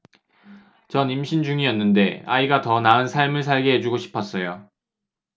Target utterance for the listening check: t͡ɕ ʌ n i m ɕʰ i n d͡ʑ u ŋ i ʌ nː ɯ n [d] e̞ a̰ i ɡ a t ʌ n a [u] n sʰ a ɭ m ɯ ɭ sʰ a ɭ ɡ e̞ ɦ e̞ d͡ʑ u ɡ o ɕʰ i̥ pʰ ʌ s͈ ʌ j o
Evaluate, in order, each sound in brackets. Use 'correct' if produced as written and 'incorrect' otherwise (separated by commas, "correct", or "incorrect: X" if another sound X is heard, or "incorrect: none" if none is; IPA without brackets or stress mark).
correct, incorrect: ɯ